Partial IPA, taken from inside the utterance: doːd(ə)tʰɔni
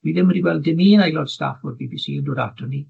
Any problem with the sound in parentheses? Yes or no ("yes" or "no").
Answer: yes